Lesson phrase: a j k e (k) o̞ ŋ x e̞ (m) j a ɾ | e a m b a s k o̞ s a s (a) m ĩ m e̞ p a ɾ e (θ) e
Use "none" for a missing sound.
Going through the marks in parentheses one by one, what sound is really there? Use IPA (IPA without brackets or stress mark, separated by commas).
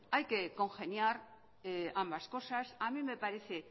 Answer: k, n, a, θ